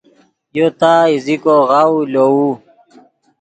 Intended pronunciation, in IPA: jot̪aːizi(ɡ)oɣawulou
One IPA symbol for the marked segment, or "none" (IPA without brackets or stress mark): k